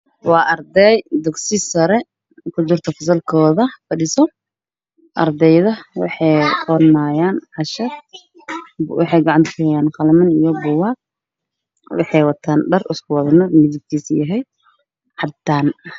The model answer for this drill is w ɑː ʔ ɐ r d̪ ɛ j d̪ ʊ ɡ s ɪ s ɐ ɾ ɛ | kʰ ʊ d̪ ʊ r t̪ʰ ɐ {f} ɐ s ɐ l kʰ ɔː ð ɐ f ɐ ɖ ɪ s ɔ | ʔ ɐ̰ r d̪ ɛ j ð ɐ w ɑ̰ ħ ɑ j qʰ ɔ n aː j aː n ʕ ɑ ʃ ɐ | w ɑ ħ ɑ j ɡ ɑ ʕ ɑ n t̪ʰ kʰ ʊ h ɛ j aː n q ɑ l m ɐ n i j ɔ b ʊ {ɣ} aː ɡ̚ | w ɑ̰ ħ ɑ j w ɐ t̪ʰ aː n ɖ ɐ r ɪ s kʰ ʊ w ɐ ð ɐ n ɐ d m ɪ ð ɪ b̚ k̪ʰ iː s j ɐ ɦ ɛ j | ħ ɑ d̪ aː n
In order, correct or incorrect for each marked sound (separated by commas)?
correct, incorrect